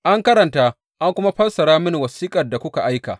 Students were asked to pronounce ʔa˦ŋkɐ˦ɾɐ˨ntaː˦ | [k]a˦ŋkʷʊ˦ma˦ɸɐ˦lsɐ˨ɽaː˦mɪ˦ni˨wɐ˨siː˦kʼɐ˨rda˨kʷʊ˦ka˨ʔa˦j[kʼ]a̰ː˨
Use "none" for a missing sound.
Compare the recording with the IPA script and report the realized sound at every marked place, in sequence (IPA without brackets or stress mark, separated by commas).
ʔ, k